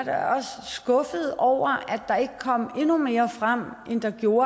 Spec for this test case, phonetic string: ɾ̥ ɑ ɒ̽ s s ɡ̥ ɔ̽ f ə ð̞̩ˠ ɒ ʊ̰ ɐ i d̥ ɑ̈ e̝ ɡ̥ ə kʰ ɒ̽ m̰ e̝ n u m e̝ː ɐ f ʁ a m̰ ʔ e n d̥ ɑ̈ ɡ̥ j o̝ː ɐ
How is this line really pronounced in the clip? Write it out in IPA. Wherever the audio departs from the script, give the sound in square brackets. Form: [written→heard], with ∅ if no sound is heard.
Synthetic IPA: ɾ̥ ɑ ɒ̽ s s ɡ̥ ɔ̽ f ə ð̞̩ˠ ɒ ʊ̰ ɐ [i→æ] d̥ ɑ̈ e̝ ɡ̥ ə kʰ ɒ̽ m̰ e̝ n u m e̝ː ɐ f ʁ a m̰ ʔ e n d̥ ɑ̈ ɡ̥ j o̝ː ɐ